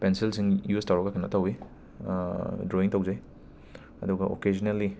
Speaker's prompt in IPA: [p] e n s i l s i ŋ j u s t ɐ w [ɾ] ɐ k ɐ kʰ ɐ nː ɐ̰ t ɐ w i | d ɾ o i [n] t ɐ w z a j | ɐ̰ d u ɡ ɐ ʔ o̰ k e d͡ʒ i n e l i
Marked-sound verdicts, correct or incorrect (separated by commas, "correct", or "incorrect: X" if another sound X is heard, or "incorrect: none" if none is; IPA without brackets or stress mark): correct, correct, incorrect: ŋ